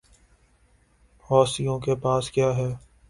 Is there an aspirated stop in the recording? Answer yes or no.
no